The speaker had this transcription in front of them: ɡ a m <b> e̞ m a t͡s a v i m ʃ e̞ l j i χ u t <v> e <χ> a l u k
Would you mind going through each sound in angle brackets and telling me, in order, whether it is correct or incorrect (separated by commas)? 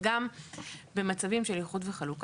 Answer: correct, correct, correct